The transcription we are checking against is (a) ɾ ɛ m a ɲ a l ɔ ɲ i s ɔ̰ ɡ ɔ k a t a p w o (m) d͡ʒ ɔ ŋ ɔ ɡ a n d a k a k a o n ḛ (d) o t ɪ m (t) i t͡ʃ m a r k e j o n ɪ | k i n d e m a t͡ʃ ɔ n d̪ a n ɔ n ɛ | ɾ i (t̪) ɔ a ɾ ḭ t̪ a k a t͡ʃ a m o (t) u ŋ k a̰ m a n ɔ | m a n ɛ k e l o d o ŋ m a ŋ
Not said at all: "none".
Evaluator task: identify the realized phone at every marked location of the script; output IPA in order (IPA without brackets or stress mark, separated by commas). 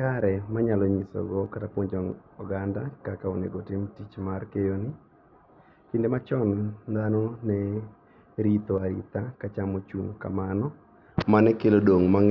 a, ɲ, ɡ, t, t̪, t͡ʃ